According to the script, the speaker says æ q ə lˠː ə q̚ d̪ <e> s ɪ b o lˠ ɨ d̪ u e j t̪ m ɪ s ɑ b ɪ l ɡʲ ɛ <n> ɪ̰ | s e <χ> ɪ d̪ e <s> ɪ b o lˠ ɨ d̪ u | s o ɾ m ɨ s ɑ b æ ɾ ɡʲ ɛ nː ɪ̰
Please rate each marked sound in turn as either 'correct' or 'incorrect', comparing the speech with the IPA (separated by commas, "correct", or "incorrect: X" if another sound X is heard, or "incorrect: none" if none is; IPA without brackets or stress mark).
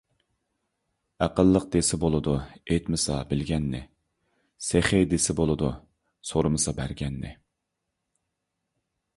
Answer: correct, incorrect: nː, correct, correct